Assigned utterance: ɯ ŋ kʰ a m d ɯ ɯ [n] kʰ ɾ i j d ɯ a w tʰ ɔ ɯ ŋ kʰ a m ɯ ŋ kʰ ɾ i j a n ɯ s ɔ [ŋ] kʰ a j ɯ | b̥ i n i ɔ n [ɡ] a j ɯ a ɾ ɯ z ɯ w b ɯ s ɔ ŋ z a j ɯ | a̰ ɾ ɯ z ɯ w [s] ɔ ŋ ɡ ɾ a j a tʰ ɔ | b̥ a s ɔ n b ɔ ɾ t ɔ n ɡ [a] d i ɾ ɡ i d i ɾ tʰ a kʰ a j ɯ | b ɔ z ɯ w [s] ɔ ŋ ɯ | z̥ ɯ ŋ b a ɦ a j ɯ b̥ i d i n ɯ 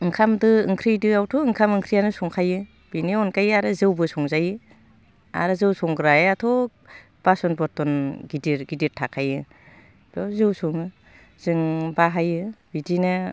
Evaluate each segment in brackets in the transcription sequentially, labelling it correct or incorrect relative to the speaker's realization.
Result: incorrect: ŋ, correct, incorrect: k, correct, incorrect: i, correct

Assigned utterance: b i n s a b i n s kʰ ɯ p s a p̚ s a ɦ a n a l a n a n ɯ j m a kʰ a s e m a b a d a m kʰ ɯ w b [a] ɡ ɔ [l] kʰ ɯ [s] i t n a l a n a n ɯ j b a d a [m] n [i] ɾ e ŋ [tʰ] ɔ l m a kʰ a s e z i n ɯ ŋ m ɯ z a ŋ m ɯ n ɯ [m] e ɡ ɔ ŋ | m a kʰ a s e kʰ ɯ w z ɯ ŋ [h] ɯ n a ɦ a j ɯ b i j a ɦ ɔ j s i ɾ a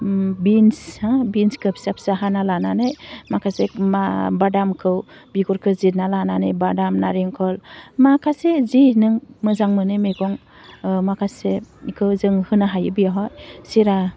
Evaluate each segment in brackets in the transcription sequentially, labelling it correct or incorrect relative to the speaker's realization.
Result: incorrect: i, incorrect: ɾ, incorrect: z, correct, incorrect: a, incorrect: kʰ, correct, correct

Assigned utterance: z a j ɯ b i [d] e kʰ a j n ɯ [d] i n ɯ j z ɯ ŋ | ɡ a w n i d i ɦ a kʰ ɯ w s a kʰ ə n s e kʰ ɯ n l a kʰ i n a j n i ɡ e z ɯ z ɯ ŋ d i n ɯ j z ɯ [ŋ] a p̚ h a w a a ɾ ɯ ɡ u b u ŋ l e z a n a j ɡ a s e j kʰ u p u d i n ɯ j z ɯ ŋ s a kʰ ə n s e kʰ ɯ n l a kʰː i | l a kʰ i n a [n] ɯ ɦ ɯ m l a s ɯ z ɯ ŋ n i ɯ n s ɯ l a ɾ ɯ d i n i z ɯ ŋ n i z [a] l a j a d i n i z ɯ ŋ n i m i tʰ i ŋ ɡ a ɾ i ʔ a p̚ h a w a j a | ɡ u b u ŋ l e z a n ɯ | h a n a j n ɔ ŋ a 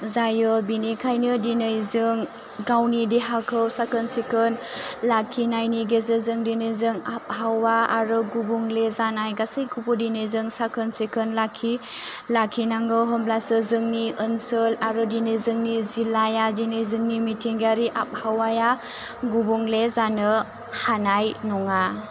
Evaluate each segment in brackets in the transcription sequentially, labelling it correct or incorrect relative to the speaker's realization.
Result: incorrect: n, correct, correct, incorrect: ŋ, incorrect: i

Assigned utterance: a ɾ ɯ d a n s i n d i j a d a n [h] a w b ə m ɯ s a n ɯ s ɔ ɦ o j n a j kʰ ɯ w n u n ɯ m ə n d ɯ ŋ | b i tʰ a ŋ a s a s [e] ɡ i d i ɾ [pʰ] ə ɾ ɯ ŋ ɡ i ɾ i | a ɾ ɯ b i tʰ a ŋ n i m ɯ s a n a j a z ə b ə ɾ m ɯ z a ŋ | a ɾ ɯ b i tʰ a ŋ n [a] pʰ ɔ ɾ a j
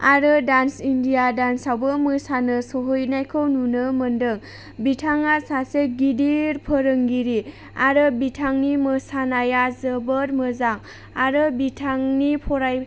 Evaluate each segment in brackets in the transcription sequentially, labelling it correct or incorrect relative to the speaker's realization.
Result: incorrect: s, correct, correct, incorrect: i

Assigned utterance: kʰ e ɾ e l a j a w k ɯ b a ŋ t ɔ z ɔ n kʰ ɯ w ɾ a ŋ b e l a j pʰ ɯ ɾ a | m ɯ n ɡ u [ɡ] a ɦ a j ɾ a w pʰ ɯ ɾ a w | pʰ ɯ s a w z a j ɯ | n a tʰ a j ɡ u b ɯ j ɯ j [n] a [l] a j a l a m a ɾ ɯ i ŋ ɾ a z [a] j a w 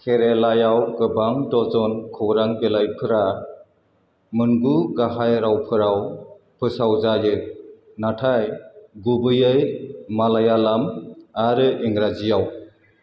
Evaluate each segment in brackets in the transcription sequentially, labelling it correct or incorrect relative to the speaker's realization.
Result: correct, incorrect: m, correct, incorrect: i

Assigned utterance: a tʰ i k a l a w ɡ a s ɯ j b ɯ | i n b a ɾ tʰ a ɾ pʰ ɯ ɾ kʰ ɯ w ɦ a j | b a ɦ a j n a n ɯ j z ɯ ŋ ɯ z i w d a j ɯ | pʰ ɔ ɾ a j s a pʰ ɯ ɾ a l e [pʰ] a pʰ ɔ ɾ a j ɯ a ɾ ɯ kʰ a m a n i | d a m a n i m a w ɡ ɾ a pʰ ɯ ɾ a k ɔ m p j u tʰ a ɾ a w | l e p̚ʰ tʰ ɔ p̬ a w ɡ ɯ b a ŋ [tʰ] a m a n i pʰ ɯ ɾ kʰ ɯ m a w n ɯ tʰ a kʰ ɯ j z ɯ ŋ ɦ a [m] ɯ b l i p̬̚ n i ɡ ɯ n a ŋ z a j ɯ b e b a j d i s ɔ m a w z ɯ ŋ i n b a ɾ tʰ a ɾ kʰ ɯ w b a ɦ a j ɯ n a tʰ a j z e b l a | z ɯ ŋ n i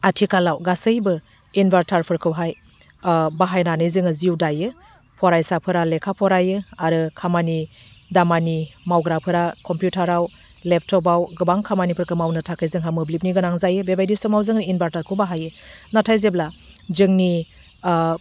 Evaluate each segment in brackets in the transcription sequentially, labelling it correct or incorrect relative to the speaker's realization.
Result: incorrect: kʰ, incorrect: kʰ, correct

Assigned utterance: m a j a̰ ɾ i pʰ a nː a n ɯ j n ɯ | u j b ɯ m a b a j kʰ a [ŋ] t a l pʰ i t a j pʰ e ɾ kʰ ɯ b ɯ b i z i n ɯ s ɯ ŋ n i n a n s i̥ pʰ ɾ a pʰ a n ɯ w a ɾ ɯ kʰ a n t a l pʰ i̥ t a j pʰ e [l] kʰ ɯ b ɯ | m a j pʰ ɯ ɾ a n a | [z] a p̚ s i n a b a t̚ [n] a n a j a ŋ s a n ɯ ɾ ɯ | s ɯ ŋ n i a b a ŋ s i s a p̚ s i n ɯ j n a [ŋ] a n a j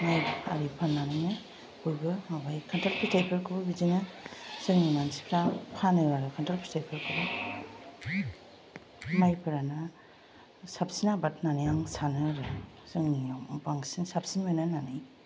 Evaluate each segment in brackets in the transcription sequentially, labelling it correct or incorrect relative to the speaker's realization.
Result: incorrect: n, incorrect: ɾ, incorrect: s, correct, incorrect: n

